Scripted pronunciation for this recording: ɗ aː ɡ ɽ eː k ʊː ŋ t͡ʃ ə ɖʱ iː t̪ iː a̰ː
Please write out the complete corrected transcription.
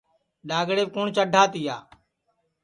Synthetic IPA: ɗ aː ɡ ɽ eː k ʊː ɳ t͡ʃ ə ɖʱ aː t̪ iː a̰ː